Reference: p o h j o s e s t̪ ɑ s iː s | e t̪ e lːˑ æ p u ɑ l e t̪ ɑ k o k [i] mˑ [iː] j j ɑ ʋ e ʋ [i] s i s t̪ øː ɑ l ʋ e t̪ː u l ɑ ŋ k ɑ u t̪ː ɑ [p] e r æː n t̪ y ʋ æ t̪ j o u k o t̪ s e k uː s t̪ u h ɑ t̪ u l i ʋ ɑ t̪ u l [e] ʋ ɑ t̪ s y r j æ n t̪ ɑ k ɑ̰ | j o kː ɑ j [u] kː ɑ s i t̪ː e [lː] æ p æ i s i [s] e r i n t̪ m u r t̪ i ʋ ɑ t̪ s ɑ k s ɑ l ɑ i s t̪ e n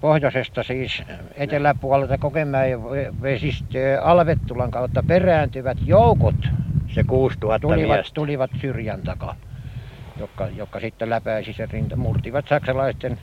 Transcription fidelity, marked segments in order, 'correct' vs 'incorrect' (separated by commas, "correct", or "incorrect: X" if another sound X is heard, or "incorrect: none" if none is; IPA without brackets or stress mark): incorrect: e, incorrect: æː, incorrect: e, correct, incorrect: i, incorrect: o, incorrect: l, correct